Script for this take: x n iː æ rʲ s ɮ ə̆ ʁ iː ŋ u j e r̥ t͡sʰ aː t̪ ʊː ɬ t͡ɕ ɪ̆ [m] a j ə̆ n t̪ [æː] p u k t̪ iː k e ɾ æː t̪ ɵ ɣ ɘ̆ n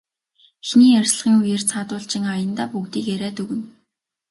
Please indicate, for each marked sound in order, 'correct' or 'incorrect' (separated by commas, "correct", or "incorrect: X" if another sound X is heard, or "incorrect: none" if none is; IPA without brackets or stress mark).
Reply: incorrect: ŋ, incorrect: aː